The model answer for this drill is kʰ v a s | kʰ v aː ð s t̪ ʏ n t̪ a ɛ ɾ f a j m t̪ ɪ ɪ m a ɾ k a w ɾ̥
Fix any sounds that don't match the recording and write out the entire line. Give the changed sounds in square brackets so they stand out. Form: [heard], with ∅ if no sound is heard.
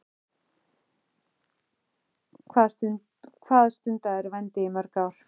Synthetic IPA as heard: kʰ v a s | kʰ v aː ð s t̪ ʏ n t̪ a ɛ ɾ [v] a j [n] t̪ ɪ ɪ m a ɾ k a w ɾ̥